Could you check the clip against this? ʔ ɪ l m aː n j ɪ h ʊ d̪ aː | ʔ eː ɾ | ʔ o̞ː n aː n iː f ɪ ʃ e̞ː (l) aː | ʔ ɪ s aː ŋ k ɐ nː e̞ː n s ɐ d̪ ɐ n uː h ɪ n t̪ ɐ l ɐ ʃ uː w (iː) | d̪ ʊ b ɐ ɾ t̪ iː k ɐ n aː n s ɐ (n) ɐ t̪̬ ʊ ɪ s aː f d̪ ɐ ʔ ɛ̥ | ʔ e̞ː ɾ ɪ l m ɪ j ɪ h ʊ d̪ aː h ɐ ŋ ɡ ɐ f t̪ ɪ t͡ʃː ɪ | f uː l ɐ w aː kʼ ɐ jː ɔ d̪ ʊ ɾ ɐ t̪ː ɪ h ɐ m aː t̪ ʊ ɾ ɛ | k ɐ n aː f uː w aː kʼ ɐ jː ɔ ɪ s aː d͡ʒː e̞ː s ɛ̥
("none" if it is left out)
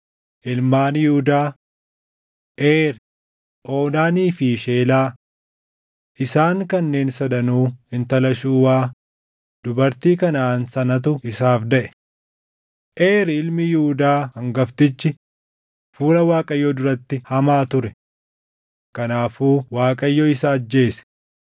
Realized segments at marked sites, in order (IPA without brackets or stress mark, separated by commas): l, aː, n